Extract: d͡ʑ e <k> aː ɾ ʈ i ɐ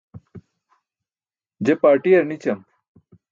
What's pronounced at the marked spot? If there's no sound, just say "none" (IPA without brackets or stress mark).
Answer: p